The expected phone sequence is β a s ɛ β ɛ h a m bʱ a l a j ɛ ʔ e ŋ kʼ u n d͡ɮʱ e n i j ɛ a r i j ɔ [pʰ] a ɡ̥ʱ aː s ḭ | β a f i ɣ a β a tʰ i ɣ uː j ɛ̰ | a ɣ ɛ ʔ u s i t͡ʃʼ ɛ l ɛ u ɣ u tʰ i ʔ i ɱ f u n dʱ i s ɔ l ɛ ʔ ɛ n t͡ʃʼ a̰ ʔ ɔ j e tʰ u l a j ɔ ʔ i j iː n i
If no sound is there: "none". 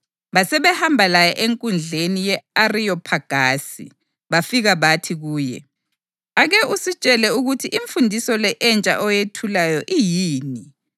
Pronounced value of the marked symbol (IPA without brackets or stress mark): pʰ